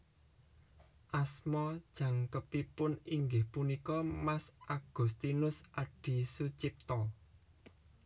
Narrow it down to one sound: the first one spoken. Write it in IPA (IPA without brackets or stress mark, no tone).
ʔ